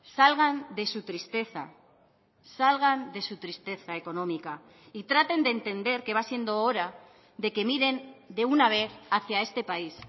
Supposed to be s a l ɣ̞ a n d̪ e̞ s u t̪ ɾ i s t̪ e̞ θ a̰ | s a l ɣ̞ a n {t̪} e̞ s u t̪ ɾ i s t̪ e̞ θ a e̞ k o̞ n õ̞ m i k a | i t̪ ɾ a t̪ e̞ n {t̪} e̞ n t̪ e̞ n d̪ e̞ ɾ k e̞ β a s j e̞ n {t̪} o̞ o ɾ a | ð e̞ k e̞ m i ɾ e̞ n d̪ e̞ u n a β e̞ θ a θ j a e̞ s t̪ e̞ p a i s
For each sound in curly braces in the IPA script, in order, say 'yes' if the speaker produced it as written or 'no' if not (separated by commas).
no, no, no